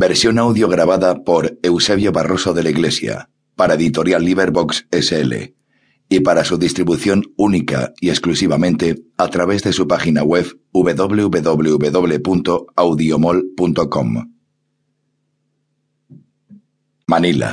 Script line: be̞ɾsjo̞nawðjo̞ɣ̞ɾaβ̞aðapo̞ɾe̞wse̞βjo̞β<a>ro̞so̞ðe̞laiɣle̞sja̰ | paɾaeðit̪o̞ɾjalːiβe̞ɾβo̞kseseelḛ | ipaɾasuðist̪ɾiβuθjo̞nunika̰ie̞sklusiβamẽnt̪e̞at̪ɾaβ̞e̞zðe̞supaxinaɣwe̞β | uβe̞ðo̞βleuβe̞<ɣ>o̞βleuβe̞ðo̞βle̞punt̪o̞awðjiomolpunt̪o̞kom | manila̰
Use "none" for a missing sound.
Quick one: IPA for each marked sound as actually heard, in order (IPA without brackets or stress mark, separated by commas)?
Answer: a, ð